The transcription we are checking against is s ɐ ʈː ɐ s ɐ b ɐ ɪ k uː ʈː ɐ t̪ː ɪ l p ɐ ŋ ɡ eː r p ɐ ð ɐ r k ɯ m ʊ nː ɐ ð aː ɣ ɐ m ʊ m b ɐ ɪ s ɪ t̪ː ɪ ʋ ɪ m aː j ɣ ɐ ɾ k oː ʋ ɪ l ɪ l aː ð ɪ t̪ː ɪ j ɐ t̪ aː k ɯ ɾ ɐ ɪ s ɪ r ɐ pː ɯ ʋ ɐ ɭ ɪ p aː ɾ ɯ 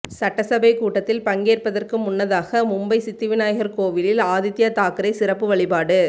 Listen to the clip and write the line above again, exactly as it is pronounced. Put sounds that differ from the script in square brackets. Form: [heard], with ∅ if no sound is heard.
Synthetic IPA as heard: s ɐ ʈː ɐ s ɐ b ɐ ɪ k uː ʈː ɐ t̪ː ɪ l p ɐ ŋ ɡ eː r p ɐ ð ɐ r k ɯ m ʊ nː ɐ ð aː ɣ ɐ m ʊ m b ɐ ɪ s ɪ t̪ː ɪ ʋ ɪ [n] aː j ɣ ɐ ɾ k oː ʋ ɪ l ɪ l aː ð ɪ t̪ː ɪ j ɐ t̪ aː k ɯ ɾ ɐ ɪ s ɪ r ɐ pː ɯ ʋ ɐ ɭ ɪ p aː [ɽ] ɯ